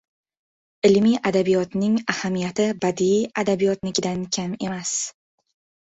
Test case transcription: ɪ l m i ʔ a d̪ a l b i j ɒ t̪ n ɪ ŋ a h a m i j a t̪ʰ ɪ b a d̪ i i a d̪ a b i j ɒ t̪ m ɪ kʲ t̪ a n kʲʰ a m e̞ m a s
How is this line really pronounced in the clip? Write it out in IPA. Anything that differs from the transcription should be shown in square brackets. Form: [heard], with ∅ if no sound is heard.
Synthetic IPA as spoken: ɪ l m i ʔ a d̪ a [∅] b i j ɒ t̪ n ɪ ŋ a h a m i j a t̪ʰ ɪ b a d̪ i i a d̪ a b i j ɒ t̪ [n] ɪ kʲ [d̪] a n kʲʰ a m e̞ m a s